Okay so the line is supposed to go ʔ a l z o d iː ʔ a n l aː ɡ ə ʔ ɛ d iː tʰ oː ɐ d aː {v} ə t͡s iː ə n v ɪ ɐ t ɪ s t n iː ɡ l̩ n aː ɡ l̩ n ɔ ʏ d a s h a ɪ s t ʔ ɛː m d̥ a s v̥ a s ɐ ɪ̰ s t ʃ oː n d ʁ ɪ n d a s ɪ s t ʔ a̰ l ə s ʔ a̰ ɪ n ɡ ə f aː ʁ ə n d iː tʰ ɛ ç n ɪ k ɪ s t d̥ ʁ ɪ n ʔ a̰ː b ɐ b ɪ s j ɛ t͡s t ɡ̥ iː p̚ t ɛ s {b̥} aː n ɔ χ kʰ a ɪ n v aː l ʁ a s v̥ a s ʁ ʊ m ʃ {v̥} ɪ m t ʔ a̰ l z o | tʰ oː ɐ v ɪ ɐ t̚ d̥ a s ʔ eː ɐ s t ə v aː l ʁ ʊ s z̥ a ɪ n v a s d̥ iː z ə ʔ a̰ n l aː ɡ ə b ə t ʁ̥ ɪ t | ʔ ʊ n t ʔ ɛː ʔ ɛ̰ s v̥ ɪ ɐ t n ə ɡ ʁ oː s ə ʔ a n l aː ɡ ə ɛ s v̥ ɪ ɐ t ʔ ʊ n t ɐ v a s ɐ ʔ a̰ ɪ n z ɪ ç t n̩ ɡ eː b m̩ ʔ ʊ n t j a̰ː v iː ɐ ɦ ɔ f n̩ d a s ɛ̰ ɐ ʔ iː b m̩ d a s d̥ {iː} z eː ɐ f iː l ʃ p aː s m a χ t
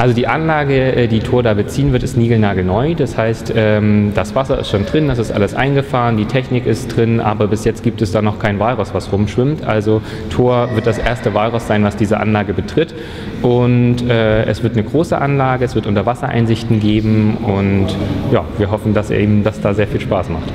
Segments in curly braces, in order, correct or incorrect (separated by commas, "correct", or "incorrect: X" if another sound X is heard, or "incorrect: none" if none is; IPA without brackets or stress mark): incorrect: b, incorrect: d̥, correct, incorrect: aː